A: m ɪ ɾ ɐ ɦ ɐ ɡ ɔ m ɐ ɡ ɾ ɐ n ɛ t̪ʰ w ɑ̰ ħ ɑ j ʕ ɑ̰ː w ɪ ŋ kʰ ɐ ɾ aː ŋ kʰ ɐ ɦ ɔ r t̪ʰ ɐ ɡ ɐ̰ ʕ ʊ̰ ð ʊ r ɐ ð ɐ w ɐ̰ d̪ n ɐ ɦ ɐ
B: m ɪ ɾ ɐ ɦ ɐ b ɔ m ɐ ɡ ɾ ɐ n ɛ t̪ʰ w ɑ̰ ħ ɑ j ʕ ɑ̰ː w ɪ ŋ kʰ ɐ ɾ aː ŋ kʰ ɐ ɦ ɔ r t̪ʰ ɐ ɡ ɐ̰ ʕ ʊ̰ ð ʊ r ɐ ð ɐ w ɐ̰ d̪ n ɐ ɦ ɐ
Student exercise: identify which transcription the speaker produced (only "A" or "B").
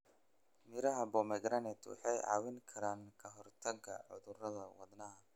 B